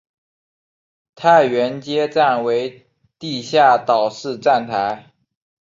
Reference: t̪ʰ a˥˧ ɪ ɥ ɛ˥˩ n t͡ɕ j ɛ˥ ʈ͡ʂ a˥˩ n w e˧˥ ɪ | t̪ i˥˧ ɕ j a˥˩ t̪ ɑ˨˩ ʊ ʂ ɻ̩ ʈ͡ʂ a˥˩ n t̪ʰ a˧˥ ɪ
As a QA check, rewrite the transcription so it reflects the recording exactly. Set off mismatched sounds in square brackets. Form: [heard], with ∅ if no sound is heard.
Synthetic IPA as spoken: t̪ʰ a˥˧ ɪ ɥ [ɛ˧˥] n t͡ɕ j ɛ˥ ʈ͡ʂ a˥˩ n w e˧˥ ɪ | t̪ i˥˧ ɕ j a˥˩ t̪ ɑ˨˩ ʊ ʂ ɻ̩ ʈ͡ʂ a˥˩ n t̪ʰ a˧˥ ɪ